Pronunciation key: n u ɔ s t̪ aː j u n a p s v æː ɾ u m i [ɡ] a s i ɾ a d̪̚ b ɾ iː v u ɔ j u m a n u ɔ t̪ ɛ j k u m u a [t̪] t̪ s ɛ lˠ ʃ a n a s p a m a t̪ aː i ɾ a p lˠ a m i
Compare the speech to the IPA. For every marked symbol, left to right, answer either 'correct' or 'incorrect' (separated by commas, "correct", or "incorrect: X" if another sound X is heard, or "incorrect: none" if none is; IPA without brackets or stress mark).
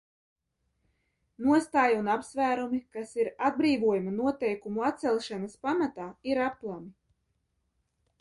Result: incorrect: k, correct